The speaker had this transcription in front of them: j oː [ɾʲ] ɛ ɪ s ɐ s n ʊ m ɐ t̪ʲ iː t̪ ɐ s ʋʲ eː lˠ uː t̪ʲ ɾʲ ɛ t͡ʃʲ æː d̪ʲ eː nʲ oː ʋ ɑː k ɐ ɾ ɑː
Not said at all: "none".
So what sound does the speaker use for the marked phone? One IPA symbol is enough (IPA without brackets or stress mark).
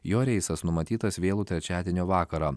ɾʲ